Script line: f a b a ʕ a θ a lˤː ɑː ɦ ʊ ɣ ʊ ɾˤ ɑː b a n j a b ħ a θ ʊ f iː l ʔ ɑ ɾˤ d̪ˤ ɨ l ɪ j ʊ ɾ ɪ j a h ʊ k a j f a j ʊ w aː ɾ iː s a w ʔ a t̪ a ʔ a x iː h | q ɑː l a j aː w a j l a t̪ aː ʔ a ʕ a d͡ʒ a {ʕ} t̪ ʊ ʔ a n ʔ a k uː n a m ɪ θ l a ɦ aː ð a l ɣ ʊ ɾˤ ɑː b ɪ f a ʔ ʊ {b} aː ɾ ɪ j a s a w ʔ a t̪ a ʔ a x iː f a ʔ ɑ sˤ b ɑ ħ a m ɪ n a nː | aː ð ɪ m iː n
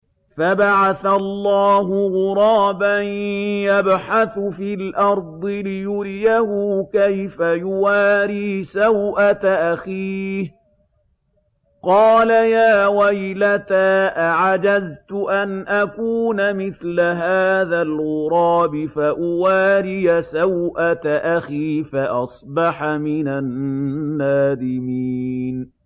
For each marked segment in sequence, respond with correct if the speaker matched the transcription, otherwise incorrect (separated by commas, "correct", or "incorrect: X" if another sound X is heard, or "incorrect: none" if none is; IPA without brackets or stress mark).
incorrect: z, incorrect: w